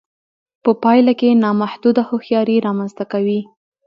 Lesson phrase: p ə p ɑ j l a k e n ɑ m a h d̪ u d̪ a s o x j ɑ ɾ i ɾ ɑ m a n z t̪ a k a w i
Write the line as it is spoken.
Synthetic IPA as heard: p ə p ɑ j l a k e n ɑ m a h d̪ u d̪ a h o x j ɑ ɾ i ɾ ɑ m a n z t̪ a k a w i